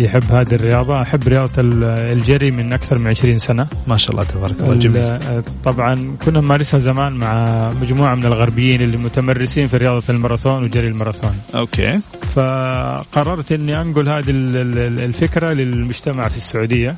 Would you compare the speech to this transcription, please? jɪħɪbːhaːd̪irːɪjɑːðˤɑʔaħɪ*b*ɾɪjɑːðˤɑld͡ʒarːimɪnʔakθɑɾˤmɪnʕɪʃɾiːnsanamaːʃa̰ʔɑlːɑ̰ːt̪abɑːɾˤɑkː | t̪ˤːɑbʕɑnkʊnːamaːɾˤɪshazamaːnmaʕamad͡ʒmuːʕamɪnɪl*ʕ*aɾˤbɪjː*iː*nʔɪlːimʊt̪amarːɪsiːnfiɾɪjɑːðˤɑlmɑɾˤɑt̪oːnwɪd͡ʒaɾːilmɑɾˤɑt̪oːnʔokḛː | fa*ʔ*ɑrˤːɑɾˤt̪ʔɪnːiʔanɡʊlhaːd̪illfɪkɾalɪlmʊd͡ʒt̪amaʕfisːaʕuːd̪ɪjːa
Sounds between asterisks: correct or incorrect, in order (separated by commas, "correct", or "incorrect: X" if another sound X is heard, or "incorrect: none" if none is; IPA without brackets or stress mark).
incorrect: bː, incorrect: ɣ, correct, incorrect: q